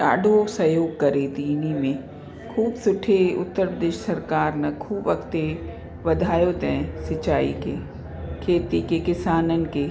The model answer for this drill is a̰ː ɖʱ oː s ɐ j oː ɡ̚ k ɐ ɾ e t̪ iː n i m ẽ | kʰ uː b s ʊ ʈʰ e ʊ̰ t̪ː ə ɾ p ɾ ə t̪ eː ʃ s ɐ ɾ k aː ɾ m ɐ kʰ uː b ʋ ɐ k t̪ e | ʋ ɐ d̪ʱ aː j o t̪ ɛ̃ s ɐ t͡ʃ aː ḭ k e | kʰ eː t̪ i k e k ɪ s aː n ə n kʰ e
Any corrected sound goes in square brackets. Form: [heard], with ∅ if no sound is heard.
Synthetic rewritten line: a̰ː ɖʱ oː s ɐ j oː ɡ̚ k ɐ ɾ e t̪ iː n i m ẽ | kʰ uː b s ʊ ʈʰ e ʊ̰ t̪ː ə ɾ p ɾ ə [d̪] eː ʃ s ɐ ɾ k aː ɾ [n] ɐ kʰ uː b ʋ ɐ k t̪ e | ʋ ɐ d̪ʱ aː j o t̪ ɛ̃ s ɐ t͡ʃ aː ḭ k e | kʰ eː t̪ i k e k ɪ s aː n ə n [k] e